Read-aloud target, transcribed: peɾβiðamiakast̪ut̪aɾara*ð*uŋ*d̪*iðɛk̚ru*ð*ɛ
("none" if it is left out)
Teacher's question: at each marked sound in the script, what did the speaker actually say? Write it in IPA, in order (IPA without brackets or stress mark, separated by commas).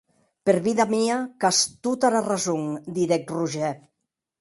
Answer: z, d̪, ʒ